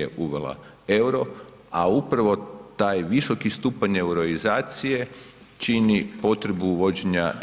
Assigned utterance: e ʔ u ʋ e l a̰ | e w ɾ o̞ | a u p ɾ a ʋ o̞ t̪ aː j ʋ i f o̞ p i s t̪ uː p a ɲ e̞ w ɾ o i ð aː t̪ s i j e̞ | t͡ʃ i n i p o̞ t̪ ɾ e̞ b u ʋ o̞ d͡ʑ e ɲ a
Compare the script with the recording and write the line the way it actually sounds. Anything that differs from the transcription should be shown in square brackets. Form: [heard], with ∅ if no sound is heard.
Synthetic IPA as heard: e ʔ u ʋ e l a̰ | e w ɾ o̞ | a u p ɾ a ʋ o̞ t̪ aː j ʋ i [s] o̞ [k] i s t̪ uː p a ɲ e̞ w ɾ o i [z] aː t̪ s i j e̞ | t͡ʃ i n i p o̞ t̪ ɾ e̞ b u ʋ o̞ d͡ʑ e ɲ a

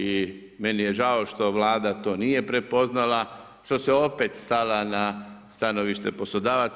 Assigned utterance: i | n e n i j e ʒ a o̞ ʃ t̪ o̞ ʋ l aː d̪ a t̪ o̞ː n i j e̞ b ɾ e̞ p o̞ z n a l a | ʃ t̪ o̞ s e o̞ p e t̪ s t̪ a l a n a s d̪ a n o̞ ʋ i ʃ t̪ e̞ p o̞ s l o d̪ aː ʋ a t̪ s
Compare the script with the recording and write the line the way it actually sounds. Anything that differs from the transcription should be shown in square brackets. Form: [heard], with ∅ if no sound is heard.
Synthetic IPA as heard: i | [m] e n i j e ʒ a o̞ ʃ t̪ o̞ ʋ l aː d̪ a t̪ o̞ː n i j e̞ [p] ɾ e̞ p o̞ z n a l a | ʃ t̪ o̞ s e o̞ p e t̪ s t̪ a l a n a s [t̪] a n o̞ ʋ i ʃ t̪ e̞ p o̞ s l o d̪ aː ʋ a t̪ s

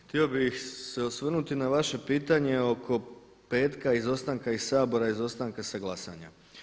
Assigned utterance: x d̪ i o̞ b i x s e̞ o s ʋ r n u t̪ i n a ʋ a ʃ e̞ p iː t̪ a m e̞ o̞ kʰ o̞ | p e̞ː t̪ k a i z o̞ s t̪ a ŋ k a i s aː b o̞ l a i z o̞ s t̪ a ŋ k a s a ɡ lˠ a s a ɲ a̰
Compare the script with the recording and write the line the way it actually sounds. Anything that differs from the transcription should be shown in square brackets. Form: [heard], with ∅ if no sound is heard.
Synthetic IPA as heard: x [t̪] i o̞ b i x s e̞ o s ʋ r n u t̪ i n a ʋ a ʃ e̞ p iː t̪ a [ɲ] e̞ o̞ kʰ o̞ | p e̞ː t̪ k a i z o̞ s t̪ a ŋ k a i s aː b o̞ [ɾ] a i z o̞ s t̪ a ŋ k a s a ɡ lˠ a s a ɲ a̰

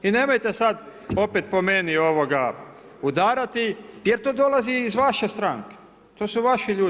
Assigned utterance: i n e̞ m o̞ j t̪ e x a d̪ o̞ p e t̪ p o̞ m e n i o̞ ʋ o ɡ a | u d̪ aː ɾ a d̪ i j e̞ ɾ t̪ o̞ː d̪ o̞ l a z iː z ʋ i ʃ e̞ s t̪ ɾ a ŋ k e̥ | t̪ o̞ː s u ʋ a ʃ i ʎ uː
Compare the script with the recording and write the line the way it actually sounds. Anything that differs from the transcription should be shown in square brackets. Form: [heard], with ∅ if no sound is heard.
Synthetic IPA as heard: i n e̞ m o̞ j t̪ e [s] a d̪ o̞ p e t̪ p o̞ m e n i o̞ ʋ o ɡ a | u d̪ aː ɾ a [t̪] i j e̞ ɾ t̪ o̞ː d̪ o̞ l a z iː z ʋ [a] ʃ e̞ s t̪ ɾ a ŋ k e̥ | t̪ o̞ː s u ʋ a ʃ i ʎ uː

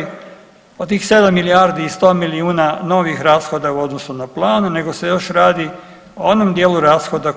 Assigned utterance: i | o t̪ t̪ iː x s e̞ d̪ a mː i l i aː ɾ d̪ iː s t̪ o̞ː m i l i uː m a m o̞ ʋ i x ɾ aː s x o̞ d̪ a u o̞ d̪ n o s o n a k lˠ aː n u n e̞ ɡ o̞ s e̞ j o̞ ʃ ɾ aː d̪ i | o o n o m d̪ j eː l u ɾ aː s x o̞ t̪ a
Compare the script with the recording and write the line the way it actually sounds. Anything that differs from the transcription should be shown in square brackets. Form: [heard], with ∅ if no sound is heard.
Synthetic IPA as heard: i | o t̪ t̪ iː x s e̞ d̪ a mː i l i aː ɾ d̪ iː s t̪ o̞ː m i l i uː [n] a [n] o̞ ʋ i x ɾ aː s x o̞ d̪ a u o̞ d̪ n o s [u] n a [p] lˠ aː n u n e̞ ɡ o̞ s e̞ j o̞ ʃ ɾ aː d̪ i | o o n o m d̪ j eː l u ɾ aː s x o̞ [d̪] a

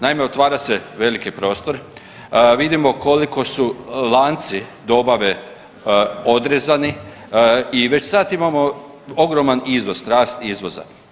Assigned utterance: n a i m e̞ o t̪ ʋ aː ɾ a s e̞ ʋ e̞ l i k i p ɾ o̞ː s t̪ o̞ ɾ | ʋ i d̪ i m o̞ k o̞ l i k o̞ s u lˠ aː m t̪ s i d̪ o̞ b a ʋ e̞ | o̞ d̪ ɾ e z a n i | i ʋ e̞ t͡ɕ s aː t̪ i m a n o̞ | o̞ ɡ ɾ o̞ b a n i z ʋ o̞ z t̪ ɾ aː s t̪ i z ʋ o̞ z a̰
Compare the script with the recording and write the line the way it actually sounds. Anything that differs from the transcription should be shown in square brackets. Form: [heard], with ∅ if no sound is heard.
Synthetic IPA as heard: n a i m e̞ o t̪ ʋ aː ɾ a s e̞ ʋ e̞ l i k i p ɾ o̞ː s t̪ o̞ ɾ | ʋ i d̪ i m o̞ k o̞ l i k o̞ s u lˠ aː [n] t̪ s i d̪ o̞ b a ʋ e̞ | o̞ d̪ ɾ e z a n i | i ʋ e̞ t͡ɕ s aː t̪ i m a [m] o̞ | o̞ ɡ ɾ o̞ [m] a n i z ʋ o̞ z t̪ ɾ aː s t̪ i z ʋ o̞ z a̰

